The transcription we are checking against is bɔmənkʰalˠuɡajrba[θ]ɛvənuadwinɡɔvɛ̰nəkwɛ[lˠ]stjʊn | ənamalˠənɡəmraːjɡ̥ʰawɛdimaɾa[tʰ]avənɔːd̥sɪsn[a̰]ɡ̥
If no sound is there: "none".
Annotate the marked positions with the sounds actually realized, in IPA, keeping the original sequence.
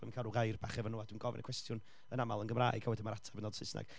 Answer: χ, none, tʰ, a̰

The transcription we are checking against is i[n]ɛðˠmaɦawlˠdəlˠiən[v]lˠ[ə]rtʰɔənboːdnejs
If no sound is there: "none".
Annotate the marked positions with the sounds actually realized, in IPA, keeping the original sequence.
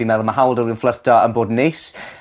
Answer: m, f, ə

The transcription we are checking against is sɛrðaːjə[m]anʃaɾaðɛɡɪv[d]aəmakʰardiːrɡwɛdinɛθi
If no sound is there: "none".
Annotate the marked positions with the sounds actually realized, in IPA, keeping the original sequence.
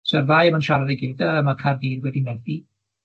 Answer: m, d

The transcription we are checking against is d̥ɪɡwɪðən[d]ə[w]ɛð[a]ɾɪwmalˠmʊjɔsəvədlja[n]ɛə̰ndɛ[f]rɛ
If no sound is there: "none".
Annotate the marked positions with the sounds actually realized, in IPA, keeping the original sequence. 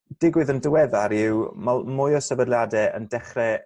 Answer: d, w, a, d, χ

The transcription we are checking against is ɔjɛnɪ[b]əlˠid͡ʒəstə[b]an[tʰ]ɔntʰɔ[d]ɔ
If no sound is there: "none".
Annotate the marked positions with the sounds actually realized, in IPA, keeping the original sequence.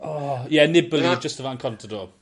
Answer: b, v, kʰ, d

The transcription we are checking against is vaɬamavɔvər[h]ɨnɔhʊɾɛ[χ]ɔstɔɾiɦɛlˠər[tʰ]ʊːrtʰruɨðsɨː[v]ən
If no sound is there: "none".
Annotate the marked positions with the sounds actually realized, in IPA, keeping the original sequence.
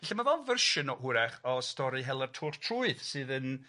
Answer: ʃ, χ, tʰ, ð

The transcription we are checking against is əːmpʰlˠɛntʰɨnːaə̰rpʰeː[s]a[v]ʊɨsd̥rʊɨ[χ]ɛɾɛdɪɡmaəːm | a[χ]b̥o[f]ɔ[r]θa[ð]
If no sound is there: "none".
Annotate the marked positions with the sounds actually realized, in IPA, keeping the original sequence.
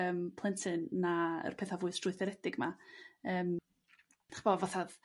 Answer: θ, v, θ, χ, v, none, ð

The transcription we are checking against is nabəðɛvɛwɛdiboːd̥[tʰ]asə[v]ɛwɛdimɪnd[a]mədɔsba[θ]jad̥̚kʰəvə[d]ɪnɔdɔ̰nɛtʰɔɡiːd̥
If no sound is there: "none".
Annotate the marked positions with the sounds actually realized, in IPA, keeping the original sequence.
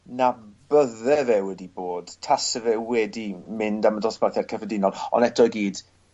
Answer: tʰ, v, a, θ, d

